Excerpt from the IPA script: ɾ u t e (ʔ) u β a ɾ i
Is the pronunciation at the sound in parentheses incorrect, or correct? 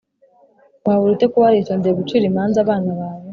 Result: incorrect: k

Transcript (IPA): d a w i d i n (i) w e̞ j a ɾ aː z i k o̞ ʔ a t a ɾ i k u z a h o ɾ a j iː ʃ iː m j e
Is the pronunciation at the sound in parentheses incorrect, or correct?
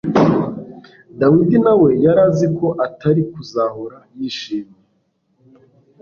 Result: incorrect: a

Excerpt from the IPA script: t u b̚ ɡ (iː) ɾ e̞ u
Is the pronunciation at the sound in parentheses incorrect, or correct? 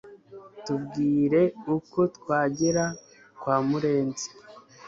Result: correct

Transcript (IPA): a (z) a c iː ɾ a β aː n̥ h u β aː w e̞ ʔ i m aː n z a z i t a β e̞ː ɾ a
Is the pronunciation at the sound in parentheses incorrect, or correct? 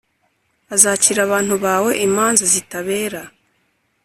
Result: correct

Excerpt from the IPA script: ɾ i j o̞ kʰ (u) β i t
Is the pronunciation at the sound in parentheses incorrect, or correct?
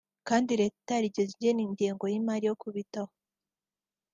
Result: correct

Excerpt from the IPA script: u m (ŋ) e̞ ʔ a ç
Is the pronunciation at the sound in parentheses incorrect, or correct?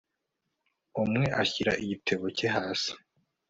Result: correct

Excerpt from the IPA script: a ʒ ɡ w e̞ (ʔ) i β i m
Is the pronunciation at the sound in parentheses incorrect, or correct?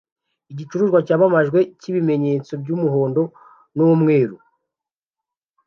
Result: incorrect: c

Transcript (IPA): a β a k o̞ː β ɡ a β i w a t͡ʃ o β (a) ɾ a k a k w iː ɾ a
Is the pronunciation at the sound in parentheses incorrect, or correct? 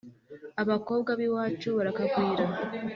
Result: correct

